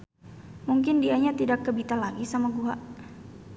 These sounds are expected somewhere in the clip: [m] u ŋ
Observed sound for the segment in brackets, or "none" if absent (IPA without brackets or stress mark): m